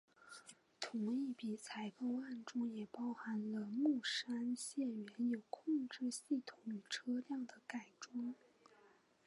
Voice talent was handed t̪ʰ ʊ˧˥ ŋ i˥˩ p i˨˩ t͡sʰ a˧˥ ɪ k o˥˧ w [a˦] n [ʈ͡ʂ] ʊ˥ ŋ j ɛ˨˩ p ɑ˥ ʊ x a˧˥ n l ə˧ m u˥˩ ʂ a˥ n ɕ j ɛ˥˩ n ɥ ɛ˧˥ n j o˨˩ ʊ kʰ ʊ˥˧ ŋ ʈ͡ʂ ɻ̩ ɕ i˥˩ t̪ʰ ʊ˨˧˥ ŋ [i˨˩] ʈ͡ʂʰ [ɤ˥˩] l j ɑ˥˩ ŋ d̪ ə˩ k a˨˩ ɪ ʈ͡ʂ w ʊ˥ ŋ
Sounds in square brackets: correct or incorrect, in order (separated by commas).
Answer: incorrect, correct, incorrect, incorrect